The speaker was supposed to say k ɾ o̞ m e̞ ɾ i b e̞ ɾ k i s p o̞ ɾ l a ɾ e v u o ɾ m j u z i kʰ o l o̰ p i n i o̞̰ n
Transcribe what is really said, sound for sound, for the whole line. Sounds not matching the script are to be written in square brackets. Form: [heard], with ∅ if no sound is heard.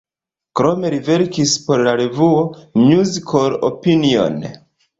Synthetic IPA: k ɾ o̞ m e̞ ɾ i [v] e̞ ɾ k i s p o̞ ɾ l a ɾ e v u o [∅] m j u z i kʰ o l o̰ p i n i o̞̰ n